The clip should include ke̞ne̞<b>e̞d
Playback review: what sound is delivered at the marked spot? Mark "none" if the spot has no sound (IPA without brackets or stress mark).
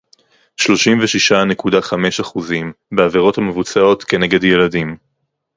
ɡ